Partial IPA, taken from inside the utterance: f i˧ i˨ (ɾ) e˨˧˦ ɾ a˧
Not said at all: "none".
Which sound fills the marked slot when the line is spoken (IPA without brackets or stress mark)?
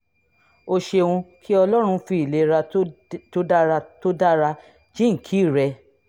l